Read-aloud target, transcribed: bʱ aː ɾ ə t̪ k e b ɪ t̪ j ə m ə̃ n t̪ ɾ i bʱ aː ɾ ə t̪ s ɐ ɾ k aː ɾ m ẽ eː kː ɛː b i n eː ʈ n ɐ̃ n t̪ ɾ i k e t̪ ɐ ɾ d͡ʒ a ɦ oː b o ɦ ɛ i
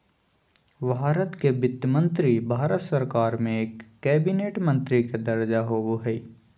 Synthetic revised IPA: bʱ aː ɾ ə t̪ k e b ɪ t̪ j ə m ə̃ n t̪ ɾ i bʱ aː ɾ ə t̪ s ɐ ɾ k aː ɾ m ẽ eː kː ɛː b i n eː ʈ m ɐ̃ n t̪ ɾ i k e d̪ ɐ ɾ d͡ʒ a ɦ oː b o ɦ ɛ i